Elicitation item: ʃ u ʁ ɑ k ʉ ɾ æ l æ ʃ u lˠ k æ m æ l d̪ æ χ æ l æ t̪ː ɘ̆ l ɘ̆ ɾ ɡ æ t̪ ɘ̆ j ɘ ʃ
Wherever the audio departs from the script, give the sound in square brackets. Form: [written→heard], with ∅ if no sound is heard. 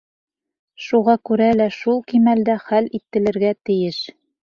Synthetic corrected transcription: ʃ u ʁ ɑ k ʉ ɾ æ l æ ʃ u lˠ k [æ→i] m æ l d̪ æ χ æ l [æ→i] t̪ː ɘ̆ l ɘ̆ ɾ ɡ æ t̪ ɘ̆ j ɘ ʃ